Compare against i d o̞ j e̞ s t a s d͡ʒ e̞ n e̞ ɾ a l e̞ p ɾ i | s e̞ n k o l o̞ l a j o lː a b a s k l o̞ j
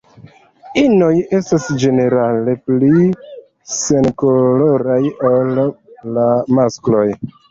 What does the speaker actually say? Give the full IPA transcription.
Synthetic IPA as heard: i n o̞ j e̞ s t a s d͡ʒ e̞ n e̞ ɾ a l e̞ p l i | s e̞ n k o l o̞ ɾ a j o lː a m a s k l o̞ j

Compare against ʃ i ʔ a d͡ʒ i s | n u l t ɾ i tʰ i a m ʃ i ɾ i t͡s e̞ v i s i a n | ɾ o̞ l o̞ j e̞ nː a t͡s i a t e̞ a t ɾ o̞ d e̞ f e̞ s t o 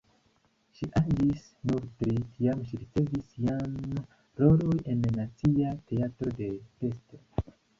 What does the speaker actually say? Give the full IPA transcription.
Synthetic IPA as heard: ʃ i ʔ a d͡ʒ i s | n u ɾ t ɾ i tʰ i a m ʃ i ɾ i t͡s e̞ v i s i a n | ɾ o̞ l o̞ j e̞ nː a t͡s i a t e̞ a t ɾ o̞ d e̞ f e̞ s t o

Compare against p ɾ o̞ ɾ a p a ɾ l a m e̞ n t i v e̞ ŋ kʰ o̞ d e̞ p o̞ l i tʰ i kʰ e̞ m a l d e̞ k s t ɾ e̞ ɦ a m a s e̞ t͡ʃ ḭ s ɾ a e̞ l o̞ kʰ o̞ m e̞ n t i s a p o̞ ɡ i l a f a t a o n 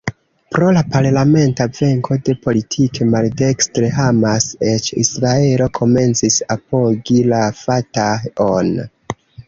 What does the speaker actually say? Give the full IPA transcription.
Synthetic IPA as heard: p ɾ o̞ l a p a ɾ l a m e̞ n t a v e̞ ŋ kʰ o̞ d e̞ p o̞ l i tʰ i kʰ e̞ m a l d e̞ k s t ɾ e̞ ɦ a m a s e̞ t͡ʃ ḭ s ɾ a e̞ l o̞ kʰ o̞ m e̞ n t͡s i s a p o̞ ɡ i l a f a t a o n

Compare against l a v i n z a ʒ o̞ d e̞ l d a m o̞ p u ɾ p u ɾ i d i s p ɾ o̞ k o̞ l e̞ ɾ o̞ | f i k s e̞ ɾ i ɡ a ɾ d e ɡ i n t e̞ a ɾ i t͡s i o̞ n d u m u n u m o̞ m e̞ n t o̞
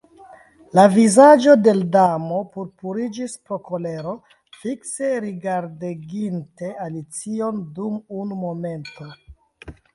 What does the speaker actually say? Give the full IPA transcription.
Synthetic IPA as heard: l a v i z a d͡ʒ o̞ d e̞ l d a m o̞ p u ɾ p u ɾ i d͡ʒ i s p ɾ o̞ k o̞ l e̞ ɾ o̞ | f i k s e̞ ɾ i ɡ a ɾ d e ɡ i n t e̞ a l i t͡s i o̞ n d u m u n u m o̞ m e̞ n t o̞

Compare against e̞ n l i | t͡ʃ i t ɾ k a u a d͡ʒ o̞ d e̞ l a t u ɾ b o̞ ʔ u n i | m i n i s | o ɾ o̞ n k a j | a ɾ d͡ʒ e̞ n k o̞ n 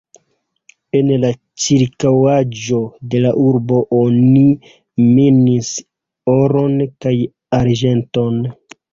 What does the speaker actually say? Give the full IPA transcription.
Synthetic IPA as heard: e̞ n l a | t͡ʃ i ɾ k a w a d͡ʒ o̞ d e̞ l a ʔ u ɾ b o̞ ʔ o n i | m i n i s | o ɾ o̞ n k a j | a ɾ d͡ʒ e̞ n t o̞ n

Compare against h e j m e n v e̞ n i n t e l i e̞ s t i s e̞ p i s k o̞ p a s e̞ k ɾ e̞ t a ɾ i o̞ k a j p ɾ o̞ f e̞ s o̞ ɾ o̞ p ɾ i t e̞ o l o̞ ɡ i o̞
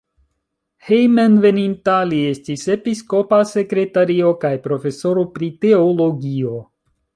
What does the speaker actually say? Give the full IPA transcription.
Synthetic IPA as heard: h e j m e n v e̞ n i n t a l i e̞ s t i s e̞ p i s k o̞ p a s e̞ k ɾ e̞ t a ɾ i o̞ k a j p ɾ o̞ f e̞ s o̞ ɾ o̞ p ɾ i t e̞ o l o̞ ɡ i o̞

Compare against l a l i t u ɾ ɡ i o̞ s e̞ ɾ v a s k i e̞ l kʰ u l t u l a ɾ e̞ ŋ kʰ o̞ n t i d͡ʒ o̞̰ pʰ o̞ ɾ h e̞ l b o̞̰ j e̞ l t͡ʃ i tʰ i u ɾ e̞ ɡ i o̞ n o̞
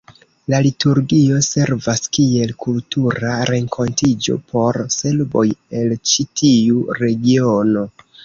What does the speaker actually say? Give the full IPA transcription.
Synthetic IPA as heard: l a l i t u ɾ ɡ i o̞ s e̞ ɾ v a s k i e̞ l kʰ u l t u ɾ a ɾ e̞ ŋ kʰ o̞ n t i d͡ʒ o̞̰ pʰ o̞ ɾ s e̞ l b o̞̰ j e̞ l t͡ʃ i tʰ i u ɾ e̞ ɡ i o̞ n o̞

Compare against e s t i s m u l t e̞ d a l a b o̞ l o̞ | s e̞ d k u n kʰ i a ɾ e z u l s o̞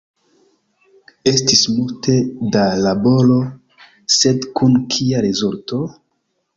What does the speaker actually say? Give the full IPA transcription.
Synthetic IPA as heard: e s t i s m u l t e̞ d a l a b o̞ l o̞ | s e̞ d k u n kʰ i a ɾ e z u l t o̞

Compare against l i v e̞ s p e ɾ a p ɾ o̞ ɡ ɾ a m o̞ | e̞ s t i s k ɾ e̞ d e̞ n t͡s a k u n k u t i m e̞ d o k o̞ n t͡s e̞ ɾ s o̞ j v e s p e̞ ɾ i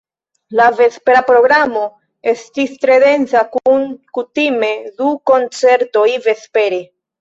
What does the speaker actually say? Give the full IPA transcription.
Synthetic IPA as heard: l a v e̞ s p e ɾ a p ɾ o̞ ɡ ɾ a m o̞ | e̞ s t i s t ɾ e̞ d e̞ n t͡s a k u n k u t i m e̞ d u k o̞ n t͡s e̞ ɾ t o̞ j v e s p e̞ ɾ e

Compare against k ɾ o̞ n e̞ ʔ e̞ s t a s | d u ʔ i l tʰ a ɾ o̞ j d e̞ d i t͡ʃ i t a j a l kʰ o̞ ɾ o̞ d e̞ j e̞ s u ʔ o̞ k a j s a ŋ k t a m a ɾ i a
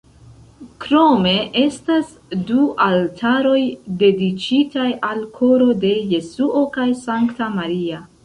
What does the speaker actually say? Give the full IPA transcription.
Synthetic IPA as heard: k ɾ o̞ m e̞ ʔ e̞ s t a s | d u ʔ a l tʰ a ɾ o̞ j d e̞ d i t͡ʃ i t a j a l kʰ o̞ ɾ o̞ d e̞ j e̞ s u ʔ o̞ k a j s a ŋ k t a m a ɾ i a

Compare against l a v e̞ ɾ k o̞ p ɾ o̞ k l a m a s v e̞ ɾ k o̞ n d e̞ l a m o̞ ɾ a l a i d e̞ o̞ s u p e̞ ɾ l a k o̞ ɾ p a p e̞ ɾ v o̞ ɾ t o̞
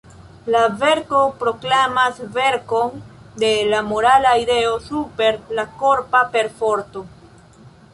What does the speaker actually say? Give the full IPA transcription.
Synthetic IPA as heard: l a v e̞ ɾ k o̞ p ɾ o̞ k l a m a s v e̞ ɾ k o̞ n d e̞ l a m o̞ ɾ a l a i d e̞ o̞ s u p e̞ ɾ l a k o̞ ɾ p a p e̞ ɾ f o̞ ɾ t o̞

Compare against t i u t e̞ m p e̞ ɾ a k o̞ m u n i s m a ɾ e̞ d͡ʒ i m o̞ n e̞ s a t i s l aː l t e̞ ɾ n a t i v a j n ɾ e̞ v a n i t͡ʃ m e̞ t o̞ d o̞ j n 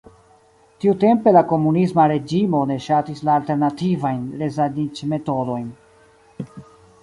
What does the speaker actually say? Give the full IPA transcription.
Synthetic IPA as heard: t i u t e̞ m p e̞ l a k o̞ m u n i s m a ɾ e̞ d͡ʒ i m o̞ n e̞ ʃ a t i s l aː l t e̞ ɾ n a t i v a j n ɾ e̞ z a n i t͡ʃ m e̞ t o̞ d o̞ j n

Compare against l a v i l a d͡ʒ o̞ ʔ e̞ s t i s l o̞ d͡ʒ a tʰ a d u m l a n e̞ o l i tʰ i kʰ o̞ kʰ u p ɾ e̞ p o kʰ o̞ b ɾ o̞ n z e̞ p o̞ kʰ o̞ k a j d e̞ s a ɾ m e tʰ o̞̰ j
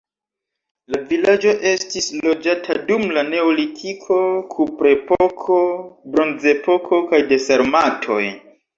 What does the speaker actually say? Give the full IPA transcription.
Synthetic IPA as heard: l a v i l a d͡ʒ o̞ ʔ e̞ s t i s l o̞ d͡ʒ a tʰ a d u m l a n e̞ o l i tʰ i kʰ o̞ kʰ u p ɾ e̞ p o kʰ o̞ b ɾ o̞ n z e̞ p o̞ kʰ o̞ k a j d e̞ s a ɾ m a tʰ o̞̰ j

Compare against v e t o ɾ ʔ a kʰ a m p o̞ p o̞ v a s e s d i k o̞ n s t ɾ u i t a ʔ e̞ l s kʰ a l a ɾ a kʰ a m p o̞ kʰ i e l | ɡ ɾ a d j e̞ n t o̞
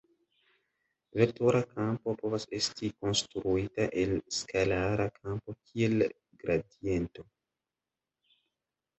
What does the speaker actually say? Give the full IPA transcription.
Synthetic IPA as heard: v e t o ɾ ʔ a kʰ a m p o̞ p o̞ v a s e s t i k o̞ n s t ɾ u i t a ʔ e̞ l s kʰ a l a ɾ a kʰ a m p o̞ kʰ i e l | ɡ ɾ a d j e̞ n t o̞

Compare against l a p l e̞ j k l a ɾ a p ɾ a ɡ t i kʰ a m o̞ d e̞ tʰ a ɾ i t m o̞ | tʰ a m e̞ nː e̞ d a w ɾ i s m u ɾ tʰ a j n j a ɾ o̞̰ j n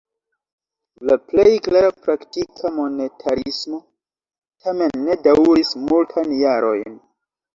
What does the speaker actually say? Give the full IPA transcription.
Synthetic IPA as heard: l a p l e̞ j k l a ɾ a p ɾ a k t i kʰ a m o̞ n e̞ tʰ a ɾ i s m o̞ | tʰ a m e̞ nː e̞ d a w ɾ i s m u l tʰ a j n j a ɾ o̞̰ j n

